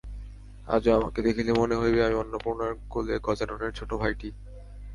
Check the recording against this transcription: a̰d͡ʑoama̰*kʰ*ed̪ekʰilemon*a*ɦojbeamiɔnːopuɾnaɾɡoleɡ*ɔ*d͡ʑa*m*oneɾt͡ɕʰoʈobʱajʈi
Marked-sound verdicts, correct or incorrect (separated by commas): incorrect, incorrect, correct, incorrect